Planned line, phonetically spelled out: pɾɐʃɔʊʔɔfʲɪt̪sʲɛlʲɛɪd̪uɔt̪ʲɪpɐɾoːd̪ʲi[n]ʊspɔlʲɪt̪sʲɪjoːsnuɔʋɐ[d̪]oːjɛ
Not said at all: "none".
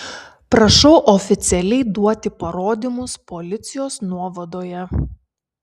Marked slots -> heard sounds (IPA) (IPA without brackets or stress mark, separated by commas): m, d̪